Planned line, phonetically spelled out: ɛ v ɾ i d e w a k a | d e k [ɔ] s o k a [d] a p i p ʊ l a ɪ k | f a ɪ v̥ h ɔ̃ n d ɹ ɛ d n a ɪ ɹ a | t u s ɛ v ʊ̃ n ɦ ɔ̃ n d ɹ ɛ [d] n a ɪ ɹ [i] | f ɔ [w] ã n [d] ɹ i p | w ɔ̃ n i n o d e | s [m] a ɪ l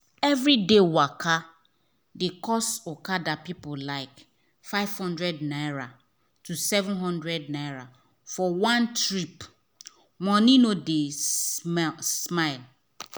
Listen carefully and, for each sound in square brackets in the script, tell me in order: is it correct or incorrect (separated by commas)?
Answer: correct, correct, correct, incorrect, correct, incorrect, correct